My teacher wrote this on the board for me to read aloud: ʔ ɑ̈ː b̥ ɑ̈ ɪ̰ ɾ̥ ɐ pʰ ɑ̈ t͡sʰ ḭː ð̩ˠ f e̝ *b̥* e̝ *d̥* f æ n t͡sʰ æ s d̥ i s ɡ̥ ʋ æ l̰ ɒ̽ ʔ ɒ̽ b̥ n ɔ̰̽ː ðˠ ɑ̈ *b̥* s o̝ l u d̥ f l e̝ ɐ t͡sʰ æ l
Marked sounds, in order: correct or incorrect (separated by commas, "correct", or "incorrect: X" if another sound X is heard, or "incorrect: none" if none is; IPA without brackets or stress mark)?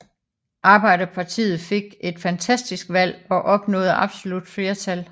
incorrect: ɡ̥, correct, correct